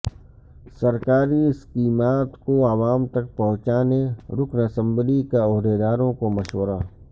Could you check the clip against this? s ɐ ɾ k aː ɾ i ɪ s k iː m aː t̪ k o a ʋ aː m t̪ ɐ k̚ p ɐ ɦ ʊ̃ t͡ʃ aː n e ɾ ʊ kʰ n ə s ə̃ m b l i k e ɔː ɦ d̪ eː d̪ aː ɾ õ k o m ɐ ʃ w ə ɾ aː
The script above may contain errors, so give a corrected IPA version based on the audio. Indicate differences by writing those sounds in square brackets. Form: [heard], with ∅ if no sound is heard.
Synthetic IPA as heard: s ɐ ɾ k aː ɾ i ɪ s k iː m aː t̪ k o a ʋ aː m t̪ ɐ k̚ p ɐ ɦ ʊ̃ t͡ʃ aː n e ɾ ʊ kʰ n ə s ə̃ m b l i k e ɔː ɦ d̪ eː d̪ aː ɾ õ k o m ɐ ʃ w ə ɾ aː